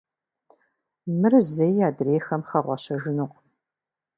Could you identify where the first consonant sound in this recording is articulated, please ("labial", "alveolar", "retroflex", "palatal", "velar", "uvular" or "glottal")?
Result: labial